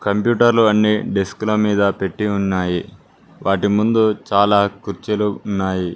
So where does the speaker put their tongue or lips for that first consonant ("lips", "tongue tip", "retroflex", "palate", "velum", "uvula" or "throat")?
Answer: velum